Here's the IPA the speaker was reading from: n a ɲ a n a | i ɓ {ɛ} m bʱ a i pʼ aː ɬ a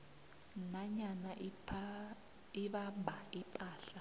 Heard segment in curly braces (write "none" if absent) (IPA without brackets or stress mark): a